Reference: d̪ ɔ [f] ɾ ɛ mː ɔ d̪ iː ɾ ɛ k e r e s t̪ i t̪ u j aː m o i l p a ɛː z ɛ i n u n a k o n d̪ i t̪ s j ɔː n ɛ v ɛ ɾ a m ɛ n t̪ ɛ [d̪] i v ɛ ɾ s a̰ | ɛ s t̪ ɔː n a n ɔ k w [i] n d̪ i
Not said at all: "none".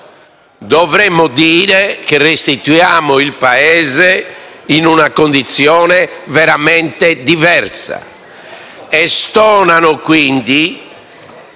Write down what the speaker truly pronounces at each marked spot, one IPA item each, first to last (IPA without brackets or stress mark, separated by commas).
v, d̪, i